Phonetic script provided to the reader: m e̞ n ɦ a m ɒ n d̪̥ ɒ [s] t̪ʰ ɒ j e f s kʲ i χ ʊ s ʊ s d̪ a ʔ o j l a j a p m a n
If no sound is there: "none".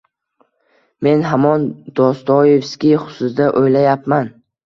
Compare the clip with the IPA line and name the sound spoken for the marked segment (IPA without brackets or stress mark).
s